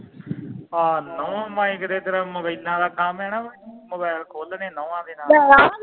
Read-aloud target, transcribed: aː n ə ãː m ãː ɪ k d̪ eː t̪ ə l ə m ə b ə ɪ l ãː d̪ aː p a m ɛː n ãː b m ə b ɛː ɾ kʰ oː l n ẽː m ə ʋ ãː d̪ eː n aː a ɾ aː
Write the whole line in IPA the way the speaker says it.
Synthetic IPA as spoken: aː n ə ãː m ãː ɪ k d̪ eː t̪ ə ɾ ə m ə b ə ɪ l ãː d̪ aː k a m ɛː n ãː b m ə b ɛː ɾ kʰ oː l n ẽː n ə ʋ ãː d̪ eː n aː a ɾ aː